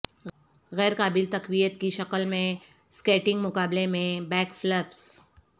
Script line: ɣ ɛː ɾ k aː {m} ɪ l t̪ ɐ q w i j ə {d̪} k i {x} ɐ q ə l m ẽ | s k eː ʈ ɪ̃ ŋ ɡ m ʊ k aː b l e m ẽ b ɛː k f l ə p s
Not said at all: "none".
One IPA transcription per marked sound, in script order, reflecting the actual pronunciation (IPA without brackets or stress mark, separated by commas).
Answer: b, t̪, ʃ